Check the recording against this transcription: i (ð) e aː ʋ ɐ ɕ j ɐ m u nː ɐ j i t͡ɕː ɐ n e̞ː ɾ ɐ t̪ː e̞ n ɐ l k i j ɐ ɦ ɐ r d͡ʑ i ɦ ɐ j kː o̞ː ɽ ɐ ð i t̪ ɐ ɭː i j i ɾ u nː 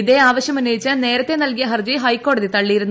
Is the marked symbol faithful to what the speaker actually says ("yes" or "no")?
yes